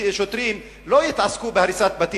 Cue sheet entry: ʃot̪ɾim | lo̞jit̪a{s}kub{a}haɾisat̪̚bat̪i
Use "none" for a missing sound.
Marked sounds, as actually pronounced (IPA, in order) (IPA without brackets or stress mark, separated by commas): s, e